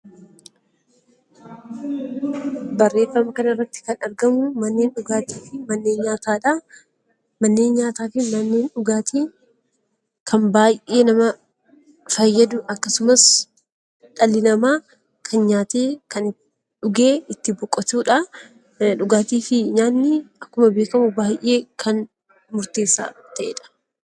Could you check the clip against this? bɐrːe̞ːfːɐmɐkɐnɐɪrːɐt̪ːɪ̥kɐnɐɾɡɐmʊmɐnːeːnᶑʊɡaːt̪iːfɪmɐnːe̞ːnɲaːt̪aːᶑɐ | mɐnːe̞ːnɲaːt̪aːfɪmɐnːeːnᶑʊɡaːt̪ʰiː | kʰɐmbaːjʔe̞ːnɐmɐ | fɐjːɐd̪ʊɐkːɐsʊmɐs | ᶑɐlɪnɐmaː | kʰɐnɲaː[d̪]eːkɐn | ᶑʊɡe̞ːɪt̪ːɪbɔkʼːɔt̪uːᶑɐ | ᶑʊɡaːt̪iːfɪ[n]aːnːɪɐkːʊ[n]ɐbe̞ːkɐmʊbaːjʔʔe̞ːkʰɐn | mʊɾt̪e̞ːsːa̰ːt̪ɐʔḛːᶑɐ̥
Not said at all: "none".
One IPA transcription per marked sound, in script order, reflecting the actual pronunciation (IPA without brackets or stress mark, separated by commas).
t̪, ɲ, m